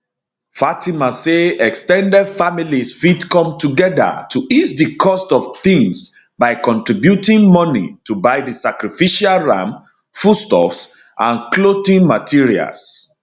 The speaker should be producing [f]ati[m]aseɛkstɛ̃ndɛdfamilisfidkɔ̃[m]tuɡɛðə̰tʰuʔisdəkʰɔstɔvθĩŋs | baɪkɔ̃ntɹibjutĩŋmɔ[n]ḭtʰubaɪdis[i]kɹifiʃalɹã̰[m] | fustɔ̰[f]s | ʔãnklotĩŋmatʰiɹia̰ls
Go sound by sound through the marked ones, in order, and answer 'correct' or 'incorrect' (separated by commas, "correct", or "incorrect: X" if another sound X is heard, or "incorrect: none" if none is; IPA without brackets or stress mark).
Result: correct, correct, correct, correct, incorrect: a, correct, correct